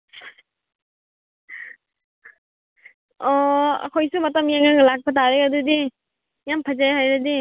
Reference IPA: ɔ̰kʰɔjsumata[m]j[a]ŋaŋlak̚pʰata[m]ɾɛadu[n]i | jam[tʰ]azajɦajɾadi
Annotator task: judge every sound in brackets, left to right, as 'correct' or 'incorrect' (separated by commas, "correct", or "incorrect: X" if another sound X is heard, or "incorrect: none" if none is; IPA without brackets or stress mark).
correct, correct, incorrect: none, incorrect: d, incorrect: pʰ